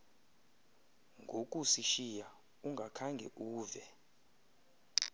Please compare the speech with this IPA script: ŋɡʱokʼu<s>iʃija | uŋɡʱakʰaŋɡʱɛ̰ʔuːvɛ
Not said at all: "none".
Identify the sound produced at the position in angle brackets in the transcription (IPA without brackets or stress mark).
s